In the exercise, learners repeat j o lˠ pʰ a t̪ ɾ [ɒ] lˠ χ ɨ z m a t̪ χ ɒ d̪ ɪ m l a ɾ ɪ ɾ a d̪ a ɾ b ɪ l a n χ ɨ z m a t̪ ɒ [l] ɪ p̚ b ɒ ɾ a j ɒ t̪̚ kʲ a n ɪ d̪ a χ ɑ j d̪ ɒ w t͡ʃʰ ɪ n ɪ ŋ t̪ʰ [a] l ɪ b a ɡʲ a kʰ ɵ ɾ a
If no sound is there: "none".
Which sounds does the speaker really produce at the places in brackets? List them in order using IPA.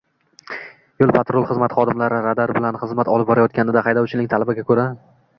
o, l, a

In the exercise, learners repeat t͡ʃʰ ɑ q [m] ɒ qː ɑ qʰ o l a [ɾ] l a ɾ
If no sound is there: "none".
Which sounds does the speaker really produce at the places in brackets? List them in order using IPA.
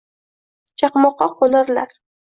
m, ɾ

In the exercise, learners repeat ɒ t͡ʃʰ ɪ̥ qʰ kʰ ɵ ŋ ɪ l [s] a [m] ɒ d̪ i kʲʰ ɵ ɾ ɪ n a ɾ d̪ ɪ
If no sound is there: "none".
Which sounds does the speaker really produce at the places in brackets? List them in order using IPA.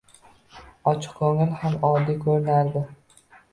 h, m

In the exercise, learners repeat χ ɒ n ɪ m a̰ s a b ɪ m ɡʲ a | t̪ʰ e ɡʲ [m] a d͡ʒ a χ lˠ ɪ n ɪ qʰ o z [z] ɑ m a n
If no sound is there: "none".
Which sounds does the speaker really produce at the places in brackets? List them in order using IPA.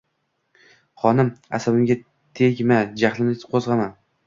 m, ʁ

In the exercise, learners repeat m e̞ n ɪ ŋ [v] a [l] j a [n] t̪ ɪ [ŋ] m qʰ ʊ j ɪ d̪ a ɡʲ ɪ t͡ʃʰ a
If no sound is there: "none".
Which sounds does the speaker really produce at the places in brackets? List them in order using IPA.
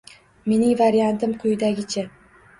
v, ɾ, n, none

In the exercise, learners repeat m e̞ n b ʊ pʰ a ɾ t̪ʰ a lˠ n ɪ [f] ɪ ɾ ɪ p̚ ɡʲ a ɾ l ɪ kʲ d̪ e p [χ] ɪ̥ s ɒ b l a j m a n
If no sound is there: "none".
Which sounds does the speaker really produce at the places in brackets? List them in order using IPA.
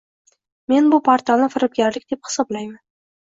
f, h

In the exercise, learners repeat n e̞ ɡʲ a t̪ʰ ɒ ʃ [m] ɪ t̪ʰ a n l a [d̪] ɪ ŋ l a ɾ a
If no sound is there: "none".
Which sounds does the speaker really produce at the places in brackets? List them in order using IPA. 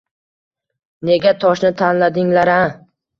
n, d̪

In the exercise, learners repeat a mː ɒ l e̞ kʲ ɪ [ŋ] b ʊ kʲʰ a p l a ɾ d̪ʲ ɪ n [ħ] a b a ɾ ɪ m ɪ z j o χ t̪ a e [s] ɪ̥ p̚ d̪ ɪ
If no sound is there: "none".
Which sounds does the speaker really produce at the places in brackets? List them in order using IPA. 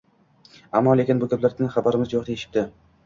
n, χ, ʃ

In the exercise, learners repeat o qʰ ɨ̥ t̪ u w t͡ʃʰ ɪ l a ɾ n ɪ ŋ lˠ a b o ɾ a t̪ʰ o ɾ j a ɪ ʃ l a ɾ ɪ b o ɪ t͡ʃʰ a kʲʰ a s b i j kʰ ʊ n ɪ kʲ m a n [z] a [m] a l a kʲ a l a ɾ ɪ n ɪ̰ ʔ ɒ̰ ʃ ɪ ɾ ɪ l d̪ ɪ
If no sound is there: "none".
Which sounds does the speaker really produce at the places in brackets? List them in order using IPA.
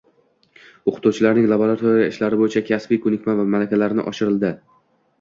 v, m

